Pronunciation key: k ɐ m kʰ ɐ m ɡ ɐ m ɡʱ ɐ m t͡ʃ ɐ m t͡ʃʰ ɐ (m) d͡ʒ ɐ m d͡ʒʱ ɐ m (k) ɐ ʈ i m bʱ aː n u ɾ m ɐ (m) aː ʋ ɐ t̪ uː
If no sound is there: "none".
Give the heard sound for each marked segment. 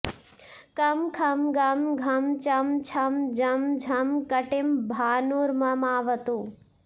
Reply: m, k, m

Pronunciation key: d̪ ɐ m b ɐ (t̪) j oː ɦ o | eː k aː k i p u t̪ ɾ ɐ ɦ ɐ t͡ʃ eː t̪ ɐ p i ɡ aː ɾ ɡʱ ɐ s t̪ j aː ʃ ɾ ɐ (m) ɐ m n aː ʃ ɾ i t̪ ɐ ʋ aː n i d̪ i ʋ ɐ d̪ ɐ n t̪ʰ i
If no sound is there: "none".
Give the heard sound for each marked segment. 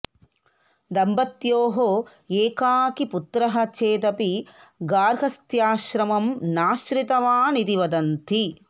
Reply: t̪, m

